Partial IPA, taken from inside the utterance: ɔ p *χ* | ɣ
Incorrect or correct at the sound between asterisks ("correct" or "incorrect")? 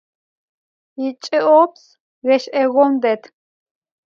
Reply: incorrect